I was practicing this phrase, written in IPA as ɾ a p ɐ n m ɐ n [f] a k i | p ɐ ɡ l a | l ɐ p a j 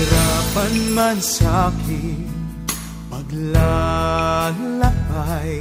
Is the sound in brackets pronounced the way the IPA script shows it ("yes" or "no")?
no